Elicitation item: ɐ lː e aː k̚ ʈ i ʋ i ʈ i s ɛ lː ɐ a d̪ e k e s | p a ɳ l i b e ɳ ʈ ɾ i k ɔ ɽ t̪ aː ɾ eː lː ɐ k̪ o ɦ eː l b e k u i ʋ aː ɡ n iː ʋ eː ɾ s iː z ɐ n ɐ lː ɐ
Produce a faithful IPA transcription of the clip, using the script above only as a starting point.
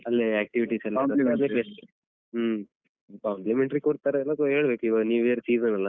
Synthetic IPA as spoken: ɐ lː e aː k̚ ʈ i ʋ i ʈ i s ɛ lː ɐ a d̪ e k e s | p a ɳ l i m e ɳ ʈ ɾ i k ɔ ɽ t̪ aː ɾ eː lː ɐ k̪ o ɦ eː ɭ b e k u i ʋ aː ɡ n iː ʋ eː ɾ s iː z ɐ n ɐ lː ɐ